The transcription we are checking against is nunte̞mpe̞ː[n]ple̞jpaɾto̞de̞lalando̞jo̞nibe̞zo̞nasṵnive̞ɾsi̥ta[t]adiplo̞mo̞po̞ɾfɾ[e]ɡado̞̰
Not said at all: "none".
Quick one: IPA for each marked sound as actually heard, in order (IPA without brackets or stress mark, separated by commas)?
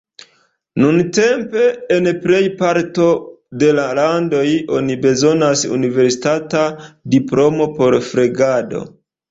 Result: n, t, e